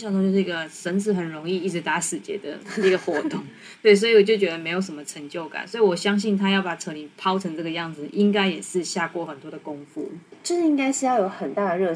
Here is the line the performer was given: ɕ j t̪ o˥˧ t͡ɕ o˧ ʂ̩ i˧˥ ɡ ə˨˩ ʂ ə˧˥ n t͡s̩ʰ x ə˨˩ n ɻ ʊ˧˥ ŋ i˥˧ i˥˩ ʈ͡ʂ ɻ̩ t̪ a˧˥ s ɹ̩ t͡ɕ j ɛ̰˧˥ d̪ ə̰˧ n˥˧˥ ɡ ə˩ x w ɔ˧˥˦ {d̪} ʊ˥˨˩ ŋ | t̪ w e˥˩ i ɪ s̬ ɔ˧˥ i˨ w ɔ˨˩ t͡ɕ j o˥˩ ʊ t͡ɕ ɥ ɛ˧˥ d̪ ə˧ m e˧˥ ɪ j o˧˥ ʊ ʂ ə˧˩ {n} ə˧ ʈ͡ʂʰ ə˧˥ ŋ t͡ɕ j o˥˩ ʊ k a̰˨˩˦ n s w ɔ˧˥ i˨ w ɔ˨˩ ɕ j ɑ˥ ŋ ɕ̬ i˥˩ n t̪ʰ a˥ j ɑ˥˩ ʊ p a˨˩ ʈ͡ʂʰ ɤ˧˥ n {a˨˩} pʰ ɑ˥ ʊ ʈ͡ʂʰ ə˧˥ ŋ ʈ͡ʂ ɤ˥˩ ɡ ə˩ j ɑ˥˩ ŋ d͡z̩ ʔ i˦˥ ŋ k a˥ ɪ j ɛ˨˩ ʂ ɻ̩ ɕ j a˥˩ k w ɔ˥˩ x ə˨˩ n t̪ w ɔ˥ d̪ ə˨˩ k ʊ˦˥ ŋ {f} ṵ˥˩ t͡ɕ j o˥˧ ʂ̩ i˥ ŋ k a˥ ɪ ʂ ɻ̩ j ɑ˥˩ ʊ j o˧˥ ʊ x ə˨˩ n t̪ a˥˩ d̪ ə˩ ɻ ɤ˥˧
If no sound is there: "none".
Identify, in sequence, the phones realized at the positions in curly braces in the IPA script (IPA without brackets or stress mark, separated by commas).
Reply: t̪, m, i˨˩, f